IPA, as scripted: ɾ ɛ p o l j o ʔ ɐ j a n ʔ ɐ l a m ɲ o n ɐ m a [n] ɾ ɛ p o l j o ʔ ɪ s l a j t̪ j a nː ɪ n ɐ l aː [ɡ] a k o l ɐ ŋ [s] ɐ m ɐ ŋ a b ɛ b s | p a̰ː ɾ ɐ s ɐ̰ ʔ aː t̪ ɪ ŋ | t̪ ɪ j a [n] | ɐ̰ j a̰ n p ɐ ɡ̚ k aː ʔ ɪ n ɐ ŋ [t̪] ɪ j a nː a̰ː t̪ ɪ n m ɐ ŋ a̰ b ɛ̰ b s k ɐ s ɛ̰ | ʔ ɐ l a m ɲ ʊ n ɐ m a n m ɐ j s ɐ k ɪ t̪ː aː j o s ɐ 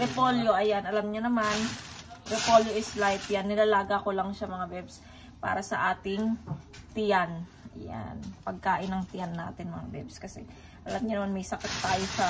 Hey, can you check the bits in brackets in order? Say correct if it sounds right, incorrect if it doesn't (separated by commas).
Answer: correct, correct, incorrect, correct, correct